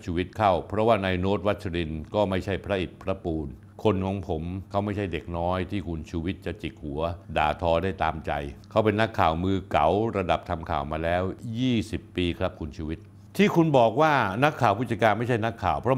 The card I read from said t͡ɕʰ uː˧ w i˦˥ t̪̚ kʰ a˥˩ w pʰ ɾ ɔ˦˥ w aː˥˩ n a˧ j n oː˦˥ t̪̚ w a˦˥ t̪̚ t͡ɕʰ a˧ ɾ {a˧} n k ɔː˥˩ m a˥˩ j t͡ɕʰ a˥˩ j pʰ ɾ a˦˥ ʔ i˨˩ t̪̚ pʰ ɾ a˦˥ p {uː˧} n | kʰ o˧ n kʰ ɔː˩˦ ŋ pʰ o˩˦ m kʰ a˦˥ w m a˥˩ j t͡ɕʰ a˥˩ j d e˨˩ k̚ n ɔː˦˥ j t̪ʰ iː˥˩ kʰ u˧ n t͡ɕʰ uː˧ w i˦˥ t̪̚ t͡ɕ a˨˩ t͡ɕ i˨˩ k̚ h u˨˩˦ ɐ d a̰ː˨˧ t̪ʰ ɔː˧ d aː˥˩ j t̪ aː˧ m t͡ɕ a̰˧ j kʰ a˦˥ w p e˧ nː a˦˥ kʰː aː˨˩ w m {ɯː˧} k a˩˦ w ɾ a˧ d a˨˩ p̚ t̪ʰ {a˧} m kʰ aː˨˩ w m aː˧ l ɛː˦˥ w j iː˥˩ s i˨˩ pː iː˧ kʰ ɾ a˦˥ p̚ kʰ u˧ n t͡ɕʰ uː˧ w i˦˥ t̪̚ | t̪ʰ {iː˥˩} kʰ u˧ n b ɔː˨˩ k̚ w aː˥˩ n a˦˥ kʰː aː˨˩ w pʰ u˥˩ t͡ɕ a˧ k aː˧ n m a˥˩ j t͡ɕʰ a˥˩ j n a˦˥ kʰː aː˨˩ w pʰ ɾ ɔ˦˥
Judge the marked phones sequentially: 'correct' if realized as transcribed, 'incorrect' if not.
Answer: incorrect: i˧, correct, correct, correct, correct

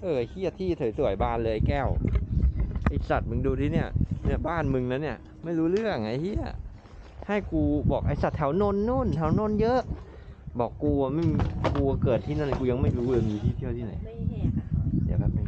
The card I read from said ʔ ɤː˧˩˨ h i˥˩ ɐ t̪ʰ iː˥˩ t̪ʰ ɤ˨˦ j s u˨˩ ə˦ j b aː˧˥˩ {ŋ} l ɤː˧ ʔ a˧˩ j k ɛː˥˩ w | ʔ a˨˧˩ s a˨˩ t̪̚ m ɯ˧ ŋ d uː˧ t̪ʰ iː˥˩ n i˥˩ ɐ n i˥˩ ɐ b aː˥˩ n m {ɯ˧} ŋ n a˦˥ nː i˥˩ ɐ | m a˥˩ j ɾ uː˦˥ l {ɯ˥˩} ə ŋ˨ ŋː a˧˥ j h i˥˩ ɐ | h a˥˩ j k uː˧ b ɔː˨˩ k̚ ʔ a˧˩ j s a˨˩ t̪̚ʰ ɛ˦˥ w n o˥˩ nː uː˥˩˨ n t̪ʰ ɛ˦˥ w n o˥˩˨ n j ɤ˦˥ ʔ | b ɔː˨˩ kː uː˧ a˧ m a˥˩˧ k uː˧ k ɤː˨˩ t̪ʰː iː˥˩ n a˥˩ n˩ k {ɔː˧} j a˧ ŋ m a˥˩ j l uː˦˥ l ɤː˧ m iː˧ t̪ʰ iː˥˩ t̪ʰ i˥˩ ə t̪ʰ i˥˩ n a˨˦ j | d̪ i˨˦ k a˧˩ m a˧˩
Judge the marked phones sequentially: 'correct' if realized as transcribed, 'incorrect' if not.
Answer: incorrect: n, correct, correct, incorrect: uː˧

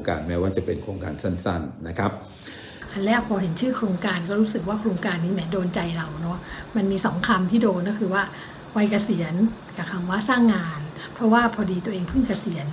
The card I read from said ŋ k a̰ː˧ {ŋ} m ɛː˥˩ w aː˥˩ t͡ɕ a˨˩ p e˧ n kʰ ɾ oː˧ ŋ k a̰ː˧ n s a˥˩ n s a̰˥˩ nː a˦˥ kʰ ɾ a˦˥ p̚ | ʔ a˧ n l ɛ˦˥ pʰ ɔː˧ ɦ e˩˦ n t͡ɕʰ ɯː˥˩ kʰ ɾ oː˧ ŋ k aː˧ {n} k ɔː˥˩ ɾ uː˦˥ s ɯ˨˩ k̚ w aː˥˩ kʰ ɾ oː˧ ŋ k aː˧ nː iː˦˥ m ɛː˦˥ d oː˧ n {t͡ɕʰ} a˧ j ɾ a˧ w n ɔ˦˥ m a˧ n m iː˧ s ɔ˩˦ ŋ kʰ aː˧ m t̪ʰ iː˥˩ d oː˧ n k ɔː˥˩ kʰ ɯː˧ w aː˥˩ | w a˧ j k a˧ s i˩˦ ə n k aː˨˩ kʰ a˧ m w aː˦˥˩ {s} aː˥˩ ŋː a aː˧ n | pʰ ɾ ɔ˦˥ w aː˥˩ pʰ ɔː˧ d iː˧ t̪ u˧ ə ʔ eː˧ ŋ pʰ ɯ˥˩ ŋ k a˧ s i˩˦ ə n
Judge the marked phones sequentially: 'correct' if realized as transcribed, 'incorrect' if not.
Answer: incorrect: n, correct, incorrect: t͡ɕ, correct

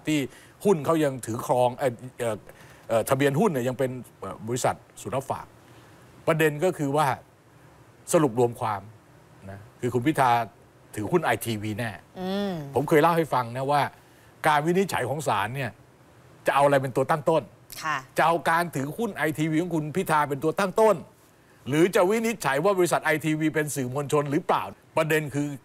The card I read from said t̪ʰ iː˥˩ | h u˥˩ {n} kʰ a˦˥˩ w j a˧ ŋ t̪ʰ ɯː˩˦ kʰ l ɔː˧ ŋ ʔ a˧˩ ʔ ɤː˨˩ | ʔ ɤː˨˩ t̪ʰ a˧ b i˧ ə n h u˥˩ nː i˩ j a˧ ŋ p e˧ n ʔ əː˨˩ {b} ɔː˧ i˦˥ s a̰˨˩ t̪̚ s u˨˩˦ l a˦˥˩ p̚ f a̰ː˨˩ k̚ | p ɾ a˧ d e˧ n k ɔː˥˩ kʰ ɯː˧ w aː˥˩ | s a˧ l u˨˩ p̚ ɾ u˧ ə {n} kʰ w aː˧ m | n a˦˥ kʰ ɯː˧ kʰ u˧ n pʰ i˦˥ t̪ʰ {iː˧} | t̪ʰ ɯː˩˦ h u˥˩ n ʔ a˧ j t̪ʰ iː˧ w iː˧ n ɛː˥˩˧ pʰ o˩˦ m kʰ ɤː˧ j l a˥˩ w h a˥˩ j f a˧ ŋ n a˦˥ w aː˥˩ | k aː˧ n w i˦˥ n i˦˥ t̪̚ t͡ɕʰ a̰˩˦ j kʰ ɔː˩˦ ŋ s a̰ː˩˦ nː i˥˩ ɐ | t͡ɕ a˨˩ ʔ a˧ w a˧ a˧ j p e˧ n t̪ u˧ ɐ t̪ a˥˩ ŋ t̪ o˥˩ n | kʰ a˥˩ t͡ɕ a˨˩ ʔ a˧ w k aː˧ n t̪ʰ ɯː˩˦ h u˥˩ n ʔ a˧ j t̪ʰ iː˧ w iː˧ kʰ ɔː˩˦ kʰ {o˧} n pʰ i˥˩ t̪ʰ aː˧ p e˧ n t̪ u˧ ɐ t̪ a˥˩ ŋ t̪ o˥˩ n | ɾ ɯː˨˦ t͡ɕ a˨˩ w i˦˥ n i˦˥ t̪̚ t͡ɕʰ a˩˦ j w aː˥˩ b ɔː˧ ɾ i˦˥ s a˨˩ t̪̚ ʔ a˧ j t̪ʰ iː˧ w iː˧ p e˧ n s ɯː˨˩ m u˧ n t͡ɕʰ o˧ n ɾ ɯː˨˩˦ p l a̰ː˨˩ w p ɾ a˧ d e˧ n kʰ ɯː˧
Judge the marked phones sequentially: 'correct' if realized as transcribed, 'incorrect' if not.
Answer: correct, correct, incorrect: m, incorrect: aː˧, incorrect: u˧

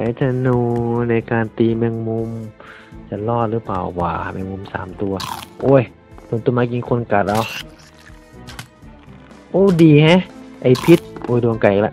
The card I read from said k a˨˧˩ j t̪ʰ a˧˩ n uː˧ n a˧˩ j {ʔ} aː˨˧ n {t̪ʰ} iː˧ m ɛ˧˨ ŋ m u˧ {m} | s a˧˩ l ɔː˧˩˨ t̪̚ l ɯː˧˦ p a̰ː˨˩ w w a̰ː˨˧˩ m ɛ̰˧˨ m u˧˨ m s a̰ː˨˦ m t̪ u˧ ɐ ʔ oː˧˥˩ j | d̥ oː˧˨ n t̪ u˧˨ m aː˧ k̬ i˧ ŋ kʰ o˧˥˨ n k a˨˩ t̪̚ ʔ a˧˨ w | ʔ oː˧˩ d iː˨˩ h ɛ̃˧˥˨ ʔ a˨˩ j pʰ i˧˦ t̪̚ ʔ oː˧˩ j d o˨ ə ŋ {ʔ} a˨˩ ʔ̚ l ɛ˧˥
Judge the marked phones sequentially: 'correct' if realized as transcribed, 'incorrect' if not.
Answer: incorrect: k, incorrect: t̪, correct, incorrect: k

